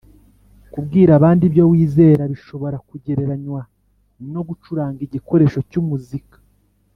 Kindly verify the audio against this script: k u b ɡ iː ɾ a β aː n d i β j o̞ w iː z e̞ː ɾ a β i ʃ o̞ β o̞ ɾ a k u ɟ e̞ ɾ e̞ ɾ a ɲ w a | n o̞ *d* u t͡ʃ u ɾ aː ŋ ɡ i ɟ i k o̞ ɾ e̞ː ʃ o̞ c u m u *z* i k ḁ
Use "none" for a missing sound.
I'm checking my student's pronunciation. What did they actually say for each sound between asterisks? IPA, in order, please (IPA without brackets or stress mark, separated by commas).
ɡ, z